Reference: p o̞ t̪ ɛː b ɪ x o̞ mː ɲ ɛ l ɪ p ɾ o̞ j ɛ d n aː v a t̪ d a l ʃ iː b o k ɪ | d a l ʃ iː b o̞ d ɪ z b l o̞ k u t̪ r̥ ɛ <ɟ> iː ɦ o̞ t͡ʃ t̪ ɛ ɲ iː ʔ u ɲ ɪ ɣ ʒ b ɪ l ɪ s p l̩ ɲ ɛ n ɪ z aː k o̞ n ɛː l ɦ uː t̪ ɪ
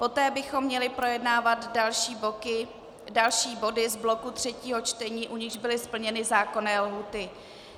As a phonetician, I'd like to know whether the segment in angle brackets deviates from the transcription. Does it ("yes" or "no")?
yes